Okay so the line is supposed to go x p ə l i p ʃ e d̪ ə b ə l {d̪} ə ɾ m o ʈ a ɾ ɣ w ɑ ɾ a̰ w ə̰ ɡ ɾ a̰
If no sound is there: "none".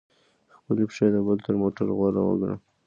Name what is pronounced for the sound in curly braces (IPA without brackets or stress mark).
t̪